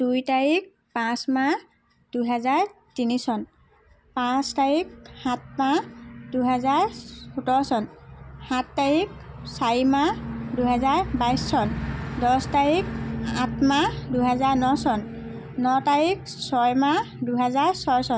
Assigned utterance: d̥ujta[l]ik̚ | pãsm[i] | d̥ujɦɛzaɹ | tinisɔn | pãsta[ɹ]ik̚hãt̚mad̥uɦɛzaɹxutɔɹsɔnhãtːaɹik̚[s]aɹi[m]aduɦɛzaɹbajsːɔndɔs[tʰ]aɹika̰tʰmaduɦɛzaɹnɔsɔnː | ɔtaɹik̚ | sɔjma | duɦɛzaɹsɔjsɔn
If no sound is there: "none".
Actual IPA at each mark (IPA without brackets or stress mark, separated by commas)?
ɹ, a, ɹ, s, m, t